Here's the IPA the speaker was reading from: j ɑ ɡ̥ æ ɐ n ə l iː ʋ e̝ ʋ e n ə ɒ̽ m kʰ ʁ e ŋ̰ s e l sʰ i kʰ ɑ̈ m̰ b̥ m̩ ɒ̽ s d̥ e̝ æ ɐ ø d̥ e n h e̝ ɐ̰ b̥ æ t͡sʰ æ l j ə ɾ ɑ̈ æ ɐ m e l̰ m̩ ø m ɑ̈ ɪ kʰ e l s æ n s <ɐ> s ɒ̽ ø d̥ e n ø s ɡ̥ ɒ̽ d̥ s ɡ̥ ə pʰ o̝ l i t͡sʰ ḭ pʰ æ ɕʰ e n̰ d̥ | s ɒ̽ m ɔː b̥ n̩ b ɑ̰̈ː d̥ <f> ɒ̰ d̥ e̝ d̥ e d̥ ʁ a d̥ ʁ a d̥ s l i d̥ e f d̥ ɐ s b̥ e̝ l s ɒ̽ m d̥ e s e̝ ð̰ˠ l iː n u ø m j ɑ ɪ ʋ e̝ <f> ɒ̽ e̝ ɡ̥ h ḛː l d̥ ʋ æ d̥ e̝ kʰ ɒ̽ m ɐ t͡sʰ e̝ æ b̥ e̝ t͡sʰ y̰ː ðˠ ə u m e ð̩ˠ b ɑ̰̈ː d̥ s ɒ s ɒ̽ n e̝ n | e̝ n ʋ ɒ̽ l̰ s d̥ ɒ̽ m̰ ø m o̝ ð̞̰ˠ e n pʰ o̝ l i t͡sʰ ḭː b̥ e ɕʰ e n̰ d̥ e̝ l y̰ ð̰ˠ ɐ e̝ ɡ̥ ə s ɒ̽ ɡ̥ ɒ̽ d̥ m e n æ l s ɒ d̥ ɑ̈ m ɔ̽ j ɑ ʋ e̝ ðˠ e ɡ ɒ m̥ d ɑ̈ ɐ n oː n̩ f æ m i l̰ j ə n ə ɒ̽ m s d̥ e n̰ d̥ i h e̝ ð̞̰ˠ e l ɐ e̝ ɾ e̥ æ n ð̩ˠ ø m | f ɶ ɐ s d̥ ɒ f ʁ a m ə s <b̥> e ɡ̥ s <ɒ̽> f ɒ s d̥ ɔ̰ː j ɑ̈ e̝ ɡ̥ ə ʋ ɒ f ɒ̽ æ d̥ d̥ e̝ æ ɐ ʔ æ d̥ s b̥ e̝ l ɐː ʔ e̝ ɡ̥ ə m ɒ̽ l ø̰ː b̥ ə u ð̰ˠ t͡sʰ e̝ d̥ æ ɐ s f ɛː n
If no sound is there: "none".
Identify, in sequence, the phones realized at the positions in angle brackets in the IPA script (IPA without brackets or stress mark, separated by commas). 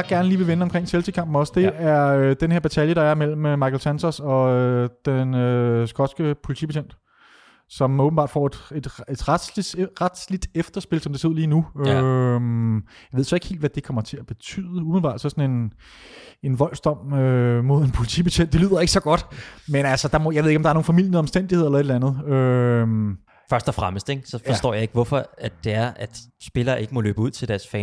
ɐ, f, s, d̥, ɒ̽